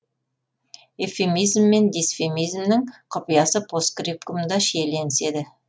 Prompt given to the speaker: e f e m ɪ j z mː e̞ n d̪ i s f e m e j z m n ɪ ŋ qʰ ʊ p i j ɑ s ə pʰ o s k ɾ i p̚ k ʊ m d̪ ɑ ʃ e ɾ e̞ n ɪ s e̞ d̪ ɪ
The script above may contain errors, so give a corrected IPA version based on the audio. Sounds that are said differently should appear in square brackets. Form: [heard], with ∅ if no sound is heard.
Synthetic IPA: e f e m [i] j z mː e̞ n d̪ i s f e m [i] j z m n ɪ ŋ qʰ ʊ p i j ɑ s ə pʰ o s k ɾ i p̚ k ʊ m d̪ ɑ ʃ e [l] e̞ n ɪ s e̞ d̪ ɪ